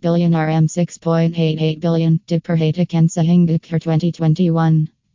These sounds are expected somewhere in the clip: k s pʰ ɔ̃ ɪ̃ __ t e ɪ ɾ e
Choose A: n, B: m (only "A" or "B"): A